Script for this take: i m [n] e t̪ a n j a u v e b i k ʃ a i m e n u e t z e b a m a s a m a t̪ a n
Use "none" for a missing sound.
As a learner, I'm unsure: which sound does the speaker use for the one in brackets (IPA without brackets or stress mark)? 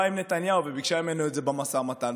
n